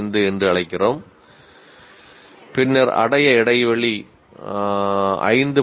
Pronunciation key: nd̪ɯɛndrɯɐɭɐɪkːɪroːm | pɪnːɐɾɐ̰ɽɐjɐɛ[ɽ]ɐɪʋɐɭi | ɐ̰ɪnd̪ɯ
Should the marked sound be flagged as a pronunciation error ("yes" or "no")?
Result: no